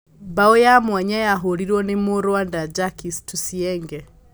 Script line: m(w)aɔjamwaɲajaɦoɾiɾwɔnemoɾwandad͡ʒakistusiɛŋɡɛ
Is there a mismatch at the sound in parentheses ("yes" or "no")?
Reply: yes